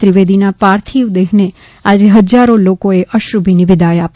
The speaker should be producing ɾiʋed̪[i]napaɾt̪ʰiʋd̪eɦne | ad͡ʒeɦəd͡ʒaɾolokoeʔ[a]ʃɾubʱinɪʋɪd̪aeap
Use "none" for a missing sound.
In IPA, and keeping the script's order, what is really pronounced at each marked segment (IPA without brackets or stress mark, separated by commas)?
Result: i, ə